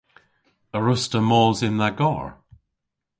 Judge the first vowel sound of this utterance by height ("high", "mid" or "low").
mid